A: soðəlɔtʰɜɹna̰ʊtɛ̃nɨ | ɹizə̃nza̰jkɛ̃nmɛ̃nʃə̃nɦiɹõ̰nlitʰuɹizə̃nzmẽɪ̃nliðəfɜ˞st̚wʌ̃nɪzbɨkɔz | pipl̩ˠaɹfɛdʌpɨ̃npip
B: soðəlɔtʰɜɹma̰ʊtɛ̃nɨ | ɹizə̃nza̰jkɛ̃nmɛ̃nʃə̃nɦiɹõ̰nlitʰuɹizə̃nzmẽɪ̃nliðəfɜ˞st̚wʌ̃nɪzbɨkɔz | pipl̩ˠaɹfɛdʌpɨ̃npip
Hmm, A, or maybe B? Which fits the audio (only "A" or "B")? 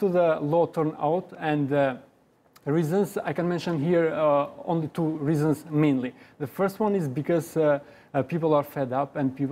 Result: A